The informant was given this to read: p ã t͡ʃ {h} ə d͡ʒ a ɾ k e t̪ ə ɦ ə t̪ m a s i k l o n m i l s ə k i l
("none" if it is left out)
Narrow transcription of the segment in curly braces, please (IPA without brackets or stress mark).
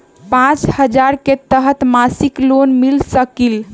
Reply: h